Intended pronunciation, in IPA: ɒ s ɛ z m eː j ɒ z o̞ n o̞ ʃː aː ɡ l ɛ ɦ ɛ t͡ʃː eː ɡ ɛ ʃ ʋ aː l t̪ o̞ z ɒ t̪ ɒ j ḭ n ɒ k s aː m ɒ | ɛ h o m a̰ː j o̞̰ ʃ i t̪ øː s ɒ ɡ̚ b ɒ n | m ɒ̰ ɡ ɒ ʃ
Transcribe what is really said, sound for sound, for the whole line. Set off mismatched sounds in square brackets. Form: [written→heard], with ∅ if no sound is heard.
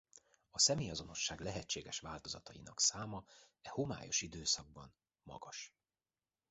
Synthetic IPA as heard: ɒ s ɛ [z→∅] m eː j ɒ z o̞ n o̞ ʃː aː ɡ l ɛ ɦ ɛ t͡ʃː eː ɡ ɛ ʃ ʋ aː l t̪ o̞ z ɒ t̪ ɒ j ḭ n ɒ k s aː m ɒ | ɛ h o m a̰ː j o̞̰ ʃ i [t̪→d̪] øː s ɒ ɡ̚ b ɒ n | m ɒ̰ ɡ ɒ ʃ